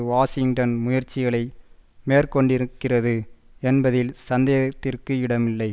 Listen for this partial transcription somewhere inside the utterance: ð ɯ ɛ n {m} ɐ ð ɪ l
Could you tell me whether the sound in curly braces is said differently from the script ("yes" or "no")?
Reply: yes